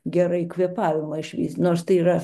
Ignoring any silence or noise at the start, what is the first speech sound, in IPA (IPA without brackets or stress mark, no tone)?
ɡʲ